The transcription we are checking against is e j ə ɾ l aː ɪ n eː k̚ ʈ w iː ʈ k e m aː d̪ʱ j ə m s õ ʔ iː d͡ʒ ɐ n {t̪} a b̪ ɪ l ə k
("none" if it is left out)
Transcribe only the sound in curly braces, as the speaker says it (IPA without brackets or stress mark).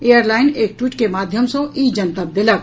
t̪